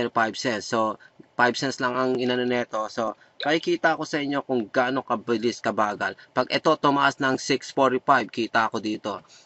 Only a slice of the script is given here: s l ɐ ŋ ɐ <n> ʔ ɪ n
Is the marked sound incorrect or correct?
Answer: incorrect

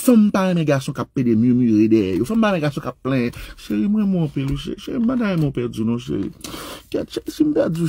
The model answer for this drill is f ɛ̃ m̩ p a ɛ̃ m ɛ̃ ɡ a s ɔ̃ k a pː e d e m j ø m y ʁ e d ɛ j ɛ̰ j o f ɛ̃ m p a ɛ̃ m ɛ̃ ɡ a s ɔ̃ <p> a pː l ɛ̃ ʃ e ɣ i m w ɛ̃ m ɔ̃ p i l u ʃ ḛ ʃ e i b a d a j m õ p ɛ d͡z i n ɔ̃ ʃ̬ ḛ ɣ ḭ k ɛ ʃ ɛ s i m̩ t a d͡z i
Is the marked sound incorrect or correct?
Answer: incorrect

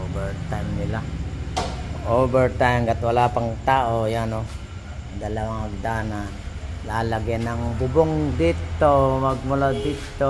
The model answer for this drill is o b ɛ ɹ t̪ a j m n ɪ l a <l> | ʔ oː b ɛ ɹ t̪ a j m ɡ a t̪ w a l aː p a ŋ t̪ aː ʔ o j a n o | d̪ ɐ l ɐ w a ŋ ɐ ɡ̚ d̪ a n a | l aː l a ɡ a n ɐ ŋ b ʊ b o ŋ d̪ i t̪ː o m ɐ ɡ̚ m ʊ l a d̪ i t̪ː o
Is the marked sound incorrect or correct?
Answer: incorrect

